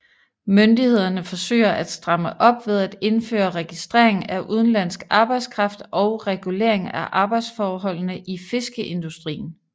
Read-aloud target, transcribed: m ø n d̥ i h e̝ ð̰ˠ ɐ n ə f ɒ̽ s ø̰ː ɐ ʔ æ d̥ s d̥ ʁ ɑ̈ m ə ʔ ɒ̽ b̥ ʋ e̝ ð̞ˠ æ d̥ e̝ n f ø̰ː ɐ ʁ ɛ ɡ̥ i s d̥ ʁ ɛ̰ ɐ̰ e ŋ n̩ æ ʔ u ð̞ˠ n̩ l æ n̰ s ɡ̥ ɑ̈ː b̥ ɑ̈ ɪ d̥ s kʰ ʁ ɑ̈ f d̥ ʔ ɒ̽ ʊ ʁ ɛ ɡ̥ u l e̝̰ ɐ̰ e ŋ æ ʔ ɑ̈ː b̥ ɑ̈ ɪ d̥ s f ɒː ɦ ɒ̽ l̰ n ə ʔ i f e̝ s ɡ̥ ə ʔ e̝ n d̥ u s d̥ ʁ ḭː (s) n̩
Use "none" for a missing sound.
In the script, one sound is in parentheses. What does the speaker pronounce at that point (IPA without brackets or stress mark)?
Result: none